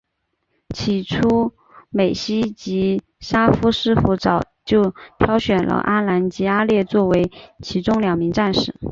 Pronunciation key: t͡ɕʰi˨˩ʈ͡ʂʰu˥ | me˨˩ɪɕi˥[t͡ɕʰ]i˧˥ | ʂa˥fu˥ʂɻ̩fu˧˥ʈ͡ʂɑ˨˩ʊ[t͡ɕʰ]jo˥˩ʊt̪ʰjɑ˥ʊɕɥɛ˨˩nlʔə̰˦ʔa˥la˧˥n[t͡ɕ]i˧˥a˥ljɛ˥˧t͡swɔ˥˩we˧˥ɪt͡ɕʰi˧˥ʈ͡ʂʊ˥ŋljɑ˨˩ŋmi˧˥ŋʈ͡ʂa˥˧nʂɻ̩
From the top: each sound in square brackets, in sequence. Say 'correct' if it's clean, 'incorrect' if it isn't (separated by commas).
incorrect, incorrect, correct